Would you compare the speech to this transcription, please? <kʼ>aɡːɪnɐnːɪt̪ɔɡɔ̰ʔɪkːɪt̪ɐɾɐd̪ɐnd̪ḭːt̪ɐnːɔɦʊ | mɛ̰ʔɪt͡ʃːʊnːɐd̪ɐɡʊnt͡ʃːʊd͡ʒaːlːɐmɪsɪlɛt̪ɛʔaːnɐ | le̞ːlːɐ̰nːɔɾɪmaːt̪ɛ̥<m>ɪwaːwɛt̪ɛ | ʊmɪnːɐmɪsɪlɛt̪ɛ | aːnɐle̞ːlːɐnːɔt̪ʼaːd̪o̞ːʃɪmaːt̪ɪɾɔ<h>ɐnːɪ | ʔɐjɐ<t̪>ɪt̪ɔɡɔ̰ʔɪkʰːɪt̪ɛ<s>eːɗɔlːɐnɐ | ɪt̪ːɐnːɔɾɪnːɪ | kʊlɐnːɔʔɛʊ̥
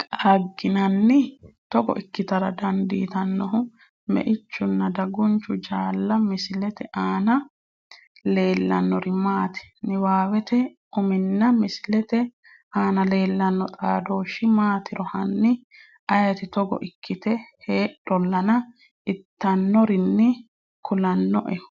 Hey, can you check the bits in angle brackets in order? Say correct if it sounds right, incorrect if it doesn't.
correct, incorrect: n, correct, correct, incorrect: h

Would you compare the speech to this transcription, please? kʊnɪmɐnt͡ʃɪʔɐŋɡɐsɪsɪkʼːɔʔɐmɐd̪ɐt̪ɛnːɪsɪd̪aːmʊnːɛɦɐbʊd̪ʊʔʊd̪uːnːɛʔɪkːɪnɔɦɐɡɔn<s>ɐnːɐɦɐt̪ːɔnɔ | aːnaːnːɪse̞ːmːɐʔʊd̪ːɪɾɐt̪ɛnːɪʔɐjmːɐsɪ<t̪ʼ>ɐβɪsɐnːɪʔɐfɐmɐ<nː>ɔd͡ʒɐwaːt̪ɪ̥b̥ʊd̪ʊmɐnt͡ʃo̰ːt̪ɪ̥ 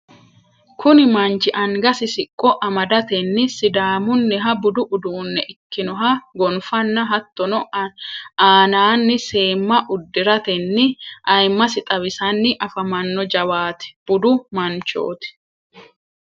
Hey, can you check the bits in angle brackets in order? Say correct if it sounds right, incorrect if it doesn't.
incorrect: f, correct, correct

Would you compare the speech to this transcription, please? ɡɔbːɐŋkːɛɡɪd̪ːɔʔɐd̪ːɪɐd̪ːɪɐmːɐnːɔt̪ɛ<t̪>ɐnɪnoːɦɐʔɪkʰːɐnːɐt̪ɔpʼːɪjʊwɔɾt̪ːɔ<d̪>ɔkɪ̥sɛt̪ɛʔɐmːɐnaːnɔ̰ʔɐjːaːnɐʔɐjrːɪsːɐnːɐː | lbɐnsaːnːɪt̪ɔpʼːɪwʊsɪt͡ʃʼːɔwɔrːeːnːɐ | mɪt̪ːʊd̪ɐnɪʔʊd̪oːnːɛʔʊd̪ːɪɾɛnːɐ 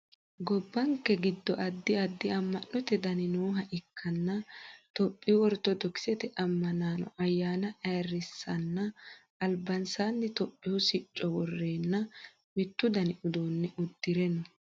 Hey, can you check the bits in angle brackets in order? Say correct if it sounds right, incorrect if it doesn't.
incorrect: d̪, correct

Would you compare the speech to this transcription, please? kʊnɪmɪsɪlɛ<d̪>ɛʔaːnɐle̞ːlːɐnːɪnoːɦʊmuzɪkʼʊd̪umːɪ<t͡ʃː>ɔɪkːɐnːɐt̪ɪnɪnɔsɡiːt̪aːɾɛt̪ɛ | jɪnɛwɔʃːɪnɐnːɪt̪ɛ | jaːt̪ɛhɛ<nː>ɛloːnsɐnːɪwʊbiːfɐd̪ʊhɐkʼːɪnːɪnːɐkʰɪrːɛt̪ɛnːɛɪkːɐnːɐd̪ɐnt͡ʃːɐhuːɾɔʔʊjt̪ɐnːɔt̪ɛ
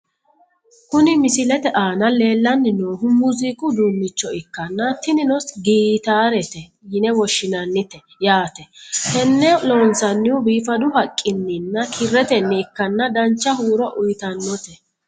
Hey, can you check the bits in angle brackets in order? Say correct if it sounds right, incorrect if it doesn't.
incorrect: t̪, correct, correct

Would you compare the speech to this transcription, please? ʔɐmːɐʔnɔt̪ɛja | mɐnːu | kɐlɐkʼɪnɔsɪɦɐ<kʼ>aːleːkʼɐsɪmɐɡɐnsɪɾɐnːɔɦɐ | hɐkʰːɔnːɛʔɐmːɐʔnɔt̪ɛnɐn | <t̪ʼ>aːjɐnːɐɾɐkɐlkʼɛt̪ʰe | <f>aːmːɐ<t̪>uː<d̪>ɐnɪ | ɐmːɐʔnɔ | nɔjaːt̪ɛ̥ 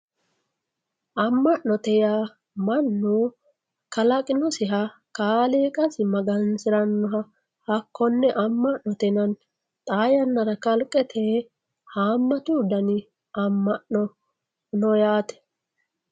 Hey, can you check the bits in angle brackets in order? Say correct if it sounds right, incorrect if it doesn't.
incorrect: k, correct, incorrect: h, correct, correct

